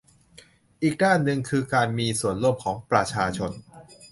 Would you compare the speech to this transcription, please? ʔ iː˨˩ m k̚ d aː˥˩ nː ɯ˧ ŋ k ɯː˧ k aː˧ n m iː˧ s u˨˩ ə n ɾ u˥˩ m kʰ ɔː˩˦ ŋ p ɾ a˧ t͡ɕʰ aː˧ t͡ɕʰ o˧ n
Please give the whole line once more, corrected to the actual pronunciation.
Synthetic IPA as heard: ʔ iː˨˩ k̚ d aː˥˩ nː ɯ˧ ŋ kʰ ɯː˧ k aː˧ n m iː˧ s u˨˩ ə n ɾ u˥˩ m kʰ ɔː˩˦ ŋ p ɾ a˧ t͡ɕʰ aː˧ t͡ɕʰ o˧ n